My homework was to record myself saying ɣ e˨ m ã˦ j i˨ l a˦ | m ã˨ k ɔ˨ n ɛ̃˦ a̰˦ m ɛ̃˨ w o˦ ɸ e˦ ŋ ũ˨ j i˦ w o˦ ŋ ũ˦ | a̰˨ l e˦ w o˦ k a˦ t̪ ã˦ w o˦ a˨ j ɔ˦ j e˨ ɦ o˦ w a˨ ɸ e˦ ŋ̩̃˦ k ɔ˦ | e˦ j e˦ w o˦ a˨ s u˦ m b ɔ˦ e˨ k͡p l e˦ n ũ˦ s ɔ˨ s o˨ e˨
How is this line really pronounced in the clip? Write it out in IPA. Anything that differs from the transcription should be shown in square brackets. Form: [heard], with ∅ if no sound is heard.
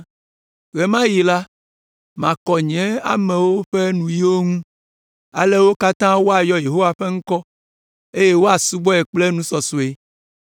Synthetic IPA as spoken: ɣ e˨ m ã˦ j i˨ l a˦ | m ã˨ k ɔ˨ [ɲ] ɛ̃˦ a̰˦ m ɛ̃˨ w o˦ ɸ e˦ [n] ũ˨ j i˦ w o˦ ŋ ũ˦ | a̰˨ l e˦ w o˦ k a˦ t̪ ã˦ w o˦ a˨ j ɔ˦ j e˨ ɦ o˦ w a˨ ɸ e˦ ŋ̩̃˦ k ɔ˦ | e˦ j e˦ w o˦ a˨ s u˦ [∅] b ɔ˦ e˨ k͡p l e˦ n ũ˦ s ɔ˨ s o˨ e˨